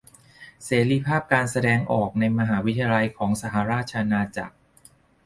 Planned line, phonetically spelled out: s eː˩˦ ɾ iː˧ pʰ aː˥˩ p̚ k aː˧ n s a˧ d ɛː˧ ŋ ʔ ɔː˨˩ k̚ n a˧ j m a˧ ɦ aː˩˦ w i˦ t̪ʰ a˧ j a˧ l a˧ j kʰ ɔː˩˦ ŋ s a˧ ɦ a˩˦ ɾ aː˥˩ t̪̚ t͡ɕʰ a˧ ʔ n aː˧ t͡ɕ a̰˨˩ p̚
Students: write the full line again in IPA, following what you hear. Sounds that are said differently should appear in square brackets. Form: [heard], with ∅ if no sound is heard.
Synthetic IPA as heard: s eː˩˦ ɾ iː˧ pʰ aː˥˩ p̚ k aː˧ n s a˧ d ɛː˧ ŋ ʔ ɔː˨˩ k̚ n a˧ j m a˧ ɦ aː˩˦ w i˦ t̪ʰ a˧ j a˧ l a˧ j kʰ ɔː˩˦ ŋ s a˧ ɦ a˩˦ ɾ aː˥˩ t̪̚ t͡ɕʰ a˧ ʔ n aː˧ t͡ɕ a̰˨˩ [k̚]